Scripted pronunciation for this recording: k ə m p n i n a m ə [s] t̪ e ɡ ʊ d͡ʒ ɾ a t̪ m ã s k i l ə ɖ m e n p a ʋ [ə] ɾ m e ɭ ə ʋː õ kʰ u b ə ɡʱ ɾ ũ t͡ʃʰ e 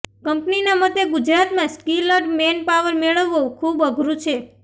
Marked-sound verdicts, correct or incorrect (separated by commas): incorrect, correct